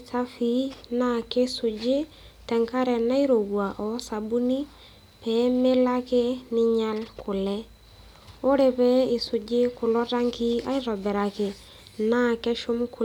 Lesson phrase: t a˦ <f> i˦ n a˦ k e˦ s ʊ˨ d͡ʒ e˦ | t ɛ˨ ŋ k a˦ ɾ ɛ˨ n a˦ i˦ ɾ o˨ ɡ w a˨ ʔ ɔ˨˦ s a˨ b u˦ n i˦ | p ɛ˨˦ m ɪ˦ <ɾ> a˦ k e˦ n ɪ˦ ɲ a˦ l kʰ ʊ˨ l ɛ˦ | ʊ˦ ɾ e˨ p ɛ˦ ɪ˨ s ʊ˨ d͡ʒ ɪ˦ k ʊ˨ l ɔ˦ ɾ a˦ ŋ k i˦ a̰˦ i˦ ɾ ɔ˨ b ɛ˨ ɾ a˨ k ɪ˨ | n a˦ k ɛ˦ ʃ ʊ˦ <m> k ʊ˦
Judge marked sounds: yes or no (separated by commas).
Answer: yes, no, yes